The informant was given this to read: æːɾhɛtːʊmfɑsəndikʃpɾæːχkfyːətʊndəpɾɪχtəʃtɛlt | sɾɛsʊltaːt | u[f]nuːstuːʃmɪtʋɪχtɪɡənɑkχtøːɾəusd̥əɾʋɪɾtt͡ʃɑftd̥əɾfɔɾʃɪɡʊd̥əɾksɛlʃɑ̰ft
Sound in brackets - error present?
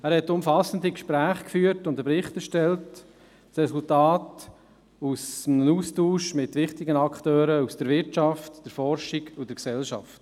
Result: yes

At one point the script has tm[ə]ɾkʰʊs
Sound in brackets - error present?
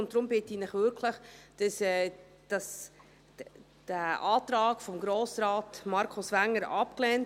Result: yes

